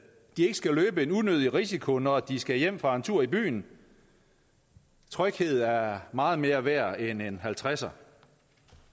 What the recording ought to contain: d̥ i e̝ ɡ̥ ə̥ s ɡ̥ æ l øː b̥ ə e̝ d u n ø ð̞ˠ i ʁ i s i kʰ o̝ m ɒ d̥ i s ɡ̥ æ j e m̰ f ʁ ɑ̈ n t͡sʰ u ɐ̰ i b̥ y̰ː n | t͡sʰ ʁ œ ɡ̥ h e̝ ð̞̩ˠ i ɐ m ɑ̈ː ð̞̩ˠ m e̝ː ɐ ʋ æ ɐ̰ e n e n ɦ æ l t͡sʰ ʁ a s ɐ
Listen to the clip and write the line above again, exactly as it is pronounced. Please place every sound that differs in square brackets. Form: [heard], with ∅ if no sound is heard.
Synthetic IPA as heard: d̥ i e̝ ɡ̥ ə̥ s ɡ̥ æ l øː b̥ ə e̝ [n] u n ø ð̞ˠ i ʁ i s i kʰ o̝ [n] ɒ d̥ i s ɡ̥ æ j e m̰ f ʁ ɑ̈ n t͡sʰ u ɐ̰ i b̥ y̰ː n | t͡sʰ ʁ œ ɡ̥ h e̝ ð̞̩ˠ [æ] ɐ m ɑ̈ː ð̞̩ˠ m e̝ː ɐ ʋ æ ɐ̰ e n e n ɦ æ l t͡sʰ ʁ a s ɐ